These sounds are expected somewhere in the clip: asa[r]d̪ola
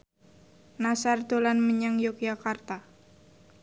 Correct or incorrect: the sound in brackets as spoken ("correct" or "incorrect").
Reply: correct